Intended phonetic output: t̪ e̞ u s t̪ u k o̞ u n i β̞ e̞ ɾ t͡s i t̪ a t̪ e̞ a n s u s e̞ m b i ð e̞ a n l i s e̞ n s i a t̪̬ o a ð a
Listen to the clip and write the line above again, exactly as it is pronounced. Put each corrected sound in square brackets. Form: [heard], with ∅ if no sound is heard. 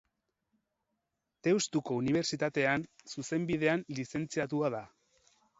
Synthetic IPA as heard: t̪ e̞ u s t̪ u k o̞ u n i β̞ e̞ ɾ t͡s i t̪ a t̪ e̞ a n s u s e̞ m b i ð e̞ a n l i s e̞ n [t͡s] i a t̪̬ [u] a ð a